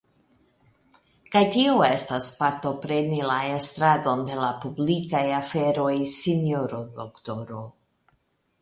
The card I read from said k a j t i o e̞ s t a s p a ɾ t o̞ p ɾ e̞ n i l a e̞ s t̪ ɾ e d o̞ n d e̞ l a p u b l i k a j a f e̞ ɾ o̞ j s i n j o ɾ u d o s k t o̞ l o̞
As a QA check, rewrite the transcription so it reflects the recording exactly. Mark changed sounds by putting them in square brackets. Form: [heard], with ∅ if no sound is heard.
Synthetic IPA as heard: k a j t i o e̞ s t a s p a ɾ t o̞ p ɾ e̞ n i l a e̞ s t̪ ɾ [a] d o̞ n d e̞ l a p u b l i k a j a f e̞ ɾ o̞ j s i n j o ɾ [o] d o [∅] k t o̞ [ɾ] o̞